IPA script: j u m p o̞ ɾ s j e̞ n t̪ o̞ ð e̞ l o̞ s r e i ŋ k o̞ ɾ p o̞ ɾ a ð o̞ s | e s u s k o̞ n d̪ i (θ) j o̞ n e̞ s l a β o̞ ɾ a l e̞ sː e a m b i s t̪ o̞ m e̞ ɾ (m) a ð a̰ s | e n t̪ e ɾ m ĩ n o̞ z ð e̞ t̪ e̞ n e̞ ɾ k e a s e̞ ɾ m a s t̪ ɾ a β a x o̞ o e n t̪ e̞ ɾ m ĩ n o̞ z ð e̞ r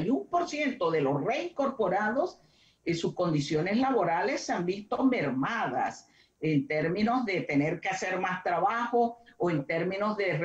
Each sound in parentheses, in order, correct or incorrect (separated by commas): incorrect, correct